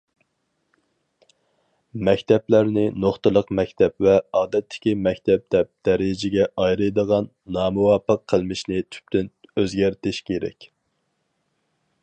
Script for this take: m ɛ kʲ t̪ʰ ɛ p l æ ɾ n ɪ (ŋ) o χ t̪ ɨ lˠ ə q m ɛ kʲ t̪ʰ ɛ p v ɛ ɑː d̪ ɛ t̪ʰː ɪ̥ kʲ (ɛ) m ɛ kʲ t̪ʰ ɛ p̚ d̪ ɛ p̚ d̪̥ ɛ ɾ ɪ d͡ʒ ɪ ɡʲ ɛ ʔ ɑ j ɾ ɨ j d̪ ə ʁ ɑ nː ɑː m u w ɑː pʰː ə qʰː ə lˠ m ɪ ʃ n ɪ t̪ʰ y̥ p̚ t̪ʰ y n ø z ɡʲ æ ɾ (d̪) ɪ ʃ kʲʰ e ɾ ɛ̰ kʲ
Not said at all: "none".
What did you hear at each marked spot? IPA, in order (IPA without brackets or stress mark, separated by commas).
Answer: n, i, t̪